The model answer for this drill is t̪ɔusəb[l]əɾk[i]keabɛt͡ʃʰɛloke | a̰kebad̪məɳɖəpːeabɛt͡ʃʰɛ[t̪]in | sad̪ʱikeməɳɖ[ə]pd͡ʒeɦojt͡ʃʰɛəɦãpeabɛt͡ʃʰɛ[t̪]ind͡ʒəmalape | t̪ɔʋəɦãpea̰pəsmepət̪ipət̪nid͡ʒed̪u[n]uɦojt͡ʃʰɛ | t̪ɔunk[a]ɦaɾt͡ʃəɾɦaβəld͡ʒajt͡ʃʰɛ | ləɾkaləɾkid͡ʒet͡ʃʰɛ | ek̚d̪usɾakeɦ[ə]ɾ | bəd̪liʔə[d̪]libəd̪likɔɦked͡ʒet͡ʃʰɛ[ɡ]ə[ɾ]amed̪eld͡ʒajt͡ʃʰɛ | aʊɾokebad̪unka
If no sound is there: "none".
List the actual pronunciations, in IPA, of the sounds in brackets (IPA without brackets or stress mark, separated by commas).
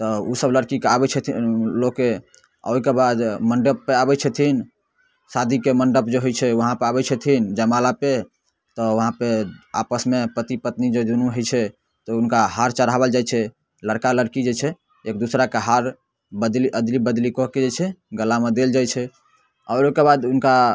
l, i, t̪ʰ, ə, t̪ʰ, n, a, a, d̪, ɡ, l